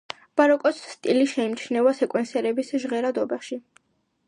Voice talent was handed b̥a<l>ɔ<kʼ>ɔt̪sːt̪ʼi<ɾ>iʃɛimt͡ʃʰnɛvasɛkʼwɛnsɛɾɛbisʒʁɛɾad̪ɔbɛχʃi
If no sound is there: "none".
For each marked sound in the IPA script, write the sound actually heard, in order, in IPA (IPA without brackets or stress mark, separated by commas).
ɾ, kʼ, l